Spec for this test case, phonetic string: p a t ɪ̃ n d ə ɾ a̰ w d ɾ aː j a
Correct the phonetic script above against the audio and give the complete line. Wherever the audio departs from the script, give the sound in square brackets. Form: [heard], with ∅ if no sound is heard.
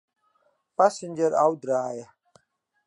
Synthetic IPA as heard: p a [s] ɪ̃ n [d͡ʒ] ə ɾ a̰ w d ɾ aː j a